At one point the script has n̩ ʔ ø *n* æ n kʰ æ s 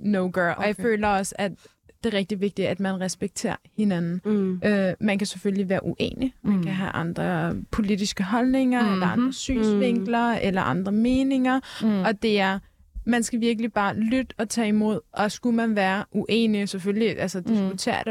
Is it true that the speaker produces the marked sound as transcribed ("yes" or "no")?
no